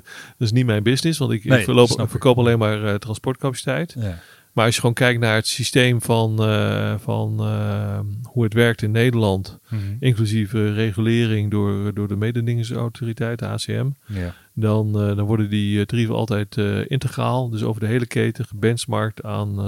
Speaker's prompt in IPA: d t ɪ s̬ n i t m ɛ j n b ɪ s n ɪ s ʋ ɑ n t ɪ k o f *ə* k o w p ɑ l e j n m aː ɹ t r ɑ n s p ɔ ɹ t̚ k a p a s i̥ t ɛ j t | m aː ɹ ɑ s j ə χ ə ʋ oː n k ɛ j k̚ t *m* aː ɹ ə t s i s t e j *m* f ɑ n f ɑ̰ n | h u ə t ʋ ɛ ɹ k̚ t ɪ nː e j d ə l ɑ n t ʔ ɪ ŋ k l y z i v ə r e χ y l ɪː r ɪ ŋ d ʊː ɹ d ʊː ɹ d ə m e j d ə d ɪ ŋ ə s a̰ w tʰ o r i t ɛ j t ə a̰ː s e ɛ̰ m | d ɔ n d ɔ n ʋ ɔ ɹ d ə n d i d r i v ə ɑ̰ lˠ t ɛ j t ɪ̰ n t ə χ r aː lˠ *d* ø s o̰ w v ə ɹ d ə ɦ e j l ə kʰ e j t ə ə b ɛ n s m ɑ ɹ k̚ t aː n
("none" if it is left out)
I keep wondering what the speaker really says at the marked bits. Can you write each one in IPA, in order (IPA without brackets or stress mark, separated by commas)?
ə, n, m, d